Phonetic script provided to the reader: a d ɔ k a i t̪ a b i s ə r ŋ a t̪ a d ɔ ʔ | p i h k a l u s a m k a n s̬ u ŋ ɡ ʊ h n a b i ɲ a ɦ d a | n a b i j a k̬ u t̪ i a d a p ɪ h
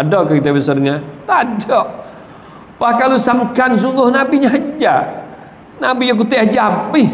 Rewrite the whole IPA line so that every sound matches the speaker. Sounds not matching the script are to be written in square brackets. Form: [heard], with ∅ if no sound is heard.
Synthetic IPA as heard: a d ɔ k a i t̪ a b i s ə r ŋ a t̪ a d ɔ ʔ | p [a] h k a l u s a m k a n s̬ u ŋ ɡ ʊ h n a b i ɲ a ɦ [d͡ʒ] a | n a b i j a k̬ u t̪ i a [d͡ʒ] a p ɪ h